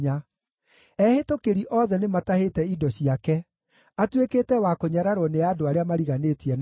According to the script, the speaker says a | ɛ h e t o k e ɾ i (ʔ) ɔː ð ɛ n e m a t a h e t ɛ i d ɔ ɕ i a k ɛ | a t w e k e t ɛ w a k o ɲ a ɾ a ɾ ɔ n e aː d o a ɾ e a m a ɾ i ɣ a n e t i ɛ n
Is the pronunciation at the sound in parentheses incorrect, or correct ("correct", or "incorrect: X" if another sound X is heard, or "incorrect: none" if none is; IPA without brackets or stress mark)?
correct